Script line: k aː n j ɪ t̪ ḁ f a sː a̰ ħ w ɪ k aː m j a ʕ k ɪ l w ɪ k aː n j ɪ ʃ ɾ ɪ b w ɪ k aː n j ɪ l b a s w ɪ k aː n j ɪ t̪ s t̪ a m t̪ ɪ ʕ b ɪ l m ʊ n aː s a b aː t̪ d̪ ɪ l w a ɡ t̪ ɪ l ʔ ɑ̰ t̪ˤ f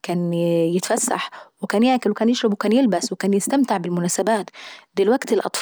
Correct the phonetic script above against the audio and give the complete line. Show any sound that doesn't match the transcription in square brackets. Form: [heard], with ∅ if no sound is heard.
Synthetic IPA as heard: k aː n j ɪ t̪ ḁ f a sː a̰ ħ w ɪ k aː [n] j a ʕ k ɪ l w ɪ k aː n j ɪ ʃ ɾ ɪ b w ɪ k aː n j ɪ l b a s w ɪ k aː n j ɪ [∅] s t̪ a m t̪ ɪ ʕ b ɪ l m ʊ n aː s a b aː t̪ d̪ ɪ l w a ɡ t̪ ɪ l ʔ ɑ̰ t̪ˤ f